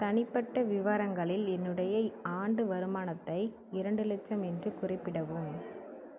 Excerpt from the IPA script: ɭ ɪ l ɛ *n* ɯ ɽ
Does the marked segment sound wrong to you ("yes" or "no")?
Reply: yes